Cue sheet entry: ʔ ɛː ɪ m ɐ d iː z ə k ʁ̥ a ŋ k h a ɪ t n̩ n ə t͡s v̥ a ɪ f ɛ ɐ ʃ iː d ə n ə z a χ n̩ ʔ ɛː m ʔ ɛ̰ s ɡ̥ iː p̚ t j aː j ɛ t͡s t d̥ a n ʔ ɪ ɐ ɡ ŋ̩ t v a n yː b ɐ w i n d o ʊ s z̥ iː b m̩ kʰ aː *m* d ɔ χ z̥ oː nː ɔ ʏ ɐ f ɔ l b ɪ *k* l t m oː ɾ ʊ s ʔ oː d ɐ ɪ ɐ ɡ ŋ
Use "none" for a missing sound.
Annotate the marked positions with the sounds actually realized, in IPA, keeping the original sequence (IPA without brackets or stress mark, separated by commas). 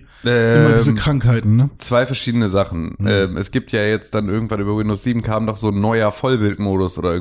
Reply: m, none